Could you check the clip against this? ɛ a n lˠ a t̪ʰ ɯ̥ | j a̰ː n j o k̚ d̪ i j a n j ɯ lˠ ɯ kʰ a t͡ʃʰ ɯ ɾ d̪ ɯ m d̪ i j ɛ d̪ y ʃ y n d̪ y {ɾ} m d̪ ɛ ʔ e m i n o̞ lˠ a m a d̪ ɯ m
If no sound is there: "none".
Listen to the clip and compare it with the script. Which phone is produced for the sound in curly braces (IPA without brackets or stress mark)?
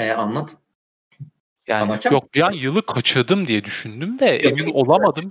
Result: none